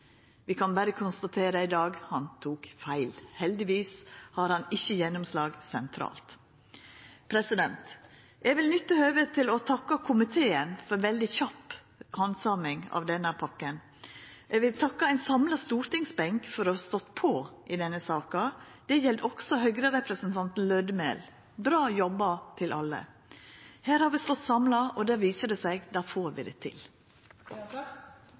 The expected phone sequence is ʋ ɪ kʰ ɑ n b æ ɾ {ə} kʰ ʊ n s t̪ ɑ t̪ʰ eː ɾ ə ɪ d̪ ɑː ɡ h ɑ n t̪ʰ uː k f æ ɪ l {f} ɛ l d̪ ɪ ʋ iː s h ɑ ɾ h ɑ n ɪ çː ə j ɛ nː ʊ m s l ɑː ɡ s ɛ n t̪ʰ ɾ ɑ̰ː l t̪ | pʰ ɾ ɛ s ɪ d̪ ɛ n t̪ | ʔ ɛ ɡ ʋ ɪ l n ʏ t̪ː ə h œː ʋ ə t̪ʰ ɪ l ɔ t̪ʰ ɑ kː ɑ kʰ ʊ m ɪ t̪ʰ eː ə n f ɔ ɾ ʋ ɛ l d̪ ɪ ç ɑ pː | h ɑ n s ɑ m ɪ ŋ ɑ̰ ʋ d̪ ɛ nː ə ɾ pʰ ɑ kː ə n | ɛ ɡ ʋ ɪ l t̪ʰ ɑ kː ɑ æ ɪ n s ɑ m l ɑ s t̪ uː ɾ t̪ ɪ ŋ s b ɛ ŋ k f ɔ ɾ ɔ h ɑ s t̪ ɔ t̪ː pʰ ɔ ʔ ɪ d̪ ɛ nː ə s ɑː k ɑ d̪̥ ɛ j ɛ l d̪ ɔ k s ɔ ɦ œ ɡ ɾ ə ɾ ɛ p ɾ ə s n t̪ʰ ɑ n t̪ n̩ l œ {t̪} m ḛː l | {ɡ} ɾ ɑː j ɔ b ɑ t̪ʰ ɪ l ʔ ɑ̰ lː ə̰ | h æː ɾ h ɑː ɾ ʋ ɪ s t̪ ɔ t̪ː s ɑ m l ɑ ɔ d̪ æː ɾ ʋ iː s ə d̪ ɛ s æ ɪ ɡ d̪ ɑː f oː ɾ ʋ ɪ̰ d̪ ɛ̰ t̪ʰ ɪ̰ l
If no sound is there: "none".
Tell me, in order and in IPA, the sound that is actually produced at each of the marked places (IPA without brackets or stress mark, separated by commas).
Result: ə, h, d̪, b